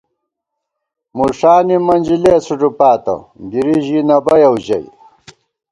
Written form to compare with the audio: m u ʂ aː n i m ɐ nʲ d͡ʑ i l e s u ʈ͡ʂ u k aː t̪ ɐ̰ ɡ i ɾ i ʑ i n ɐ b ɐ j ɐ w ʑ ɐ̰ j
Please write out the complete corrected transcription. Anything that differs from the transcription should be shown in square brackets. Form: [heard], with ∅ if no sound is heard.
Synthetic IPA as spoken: m u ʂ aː n i m ɐ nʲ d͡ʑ i l e s u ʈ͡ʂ u [p] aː t̪ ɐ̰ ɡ i ɾ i ʑ i n ɐ b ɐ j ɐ w ʑ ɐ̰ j